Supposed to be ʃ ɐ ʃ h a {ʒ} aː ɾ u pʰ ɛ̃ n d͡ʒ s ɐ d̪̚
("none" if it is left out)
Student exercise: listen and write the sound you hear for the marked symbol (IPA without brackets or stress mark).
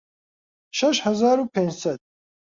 z